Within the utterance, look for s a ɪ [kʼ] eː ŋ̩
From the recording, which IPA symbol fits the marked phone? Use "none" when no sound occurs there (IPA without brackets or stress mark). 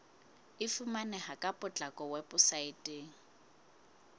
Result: tʼ